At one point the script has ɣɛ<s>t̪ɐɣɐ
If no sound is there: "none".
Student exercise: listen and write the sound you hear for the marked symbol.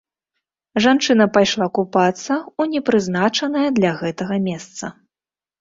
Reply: none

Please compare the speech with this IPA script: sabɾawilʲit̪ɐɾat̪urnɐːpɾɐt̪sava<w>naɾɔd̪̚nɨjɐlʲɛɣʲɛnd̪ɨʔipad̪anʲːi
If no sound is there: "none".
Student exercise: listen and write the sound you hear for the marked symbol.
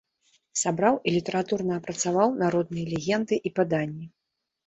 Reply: w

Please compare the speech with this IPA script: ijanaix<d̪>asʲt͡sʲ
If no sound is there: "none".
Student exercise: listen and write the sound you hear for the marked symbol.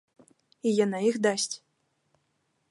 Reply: d̪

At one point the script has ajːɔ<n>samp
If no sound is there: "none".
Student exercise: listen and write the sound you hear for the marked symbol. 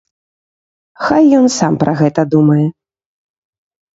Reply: n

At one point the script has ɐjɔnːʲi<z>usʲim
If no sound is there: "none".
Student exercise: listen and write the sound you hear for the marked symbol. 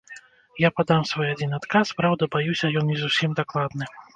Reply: z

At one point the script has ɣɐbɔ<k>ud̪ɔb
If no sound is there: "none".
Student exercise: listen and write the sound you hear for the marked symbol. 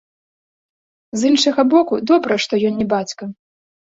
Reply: k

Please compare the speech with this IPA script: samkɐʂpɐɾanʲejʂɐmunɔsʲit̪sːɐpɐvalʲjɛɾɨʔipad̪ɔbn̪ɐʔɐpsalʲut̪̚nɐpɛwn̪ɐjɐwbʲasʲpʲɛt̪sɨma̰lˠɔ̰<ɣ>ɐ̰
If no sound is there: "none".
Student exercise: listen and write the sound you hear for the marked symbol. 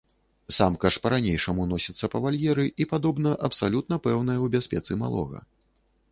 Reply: ɣ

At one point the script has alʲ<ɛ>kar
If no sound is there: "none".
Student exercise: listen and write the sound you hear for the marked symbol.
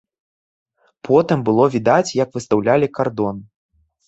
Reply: i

